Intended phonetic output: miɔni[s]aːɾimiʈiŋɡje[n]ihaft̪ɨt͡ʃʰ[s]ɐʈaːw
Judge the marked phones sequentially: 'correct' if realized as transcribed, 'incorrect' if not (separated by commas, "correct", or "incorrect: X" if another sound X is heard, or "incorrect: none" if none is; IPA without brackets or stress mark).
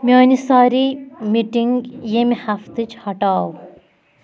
correct, incorrect: m, incorrect: h